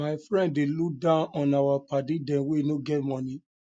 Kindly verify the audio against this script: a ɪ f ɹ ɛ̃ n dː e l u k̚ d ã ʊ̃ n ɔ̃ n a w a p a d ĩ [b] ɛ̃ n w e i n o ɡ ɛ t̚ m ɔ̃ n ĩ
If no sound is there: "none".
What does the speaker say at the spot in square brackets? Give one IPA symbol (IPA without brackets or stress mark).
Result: d